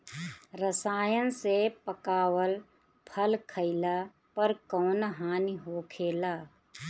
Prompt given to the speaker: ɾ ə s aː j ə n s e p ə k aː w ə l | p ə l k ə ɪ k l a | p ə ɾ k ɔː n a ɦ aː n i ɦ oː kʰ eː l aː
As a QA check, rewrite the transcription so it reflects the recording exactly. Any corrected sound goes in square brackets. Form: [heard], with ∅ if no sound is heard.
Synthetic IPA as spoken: ɾ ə s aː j ə n s e p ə k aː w ə l | [pʰ] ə l [kʰ] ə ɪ [∅] l a | p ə ɾ k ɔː n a ɦ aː n i ɦ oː kʰ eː l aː